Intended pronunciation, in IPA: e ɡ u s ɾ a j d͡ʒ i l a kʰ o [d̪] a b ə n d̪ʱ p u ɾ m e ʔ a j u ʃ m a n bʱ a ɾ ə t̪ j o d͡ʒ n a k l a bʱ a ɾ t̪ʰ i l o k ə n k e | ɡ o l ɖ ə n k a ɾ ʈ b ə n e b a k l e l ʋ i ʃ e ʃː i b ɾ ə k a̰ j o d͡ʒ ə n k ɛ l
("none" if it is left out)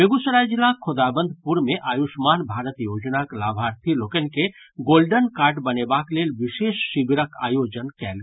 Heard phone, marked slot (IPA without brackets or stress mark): d̪